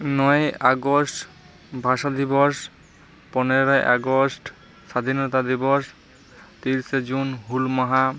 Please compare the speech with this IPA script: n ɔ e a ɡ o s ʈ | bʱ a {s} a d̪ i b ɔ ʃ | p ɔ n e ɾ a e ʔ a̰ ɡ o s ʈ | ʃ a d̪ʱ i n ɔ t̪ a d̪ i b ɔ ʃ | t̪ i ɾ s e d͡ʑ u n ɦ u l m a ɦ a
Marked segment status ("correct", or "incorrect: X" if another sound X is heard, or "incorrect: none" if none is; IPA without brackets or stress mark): incorrect: ʃ